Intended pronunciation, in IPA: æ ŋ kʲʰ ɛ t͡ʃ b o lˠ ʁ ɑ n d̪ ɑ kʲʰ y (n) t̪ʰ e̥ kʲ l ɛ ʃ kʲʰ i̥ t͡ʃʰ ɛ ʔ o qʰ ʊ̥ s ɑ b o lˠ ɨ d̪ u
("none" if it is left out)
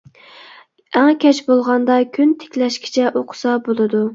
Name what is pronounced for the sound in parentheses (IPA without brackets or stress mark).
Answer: n